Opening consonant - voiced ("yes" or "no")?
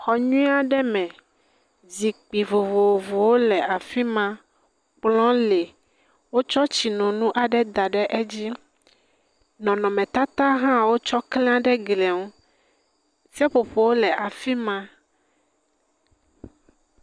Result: no